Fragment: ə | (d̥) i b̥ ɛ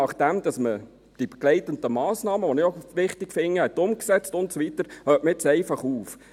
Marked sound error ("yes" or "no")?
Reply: no